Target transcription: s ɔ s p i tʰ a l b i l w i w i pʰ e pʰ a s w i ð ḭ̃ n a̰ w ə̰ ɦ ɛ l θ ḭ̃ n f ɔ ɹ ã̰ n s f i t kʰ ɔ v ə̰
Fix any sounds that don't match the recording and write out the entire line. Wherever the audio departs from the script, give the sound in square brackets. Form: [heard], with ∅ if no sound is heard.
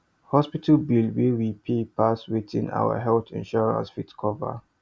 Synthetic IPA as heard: [h] ɔ s p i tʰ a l b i l w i w i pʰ e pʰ a s w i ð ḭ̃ n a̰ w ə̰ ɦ ɛ l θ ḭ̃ n [ʃ] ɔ ɹ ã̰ n s f i t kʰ ɔ v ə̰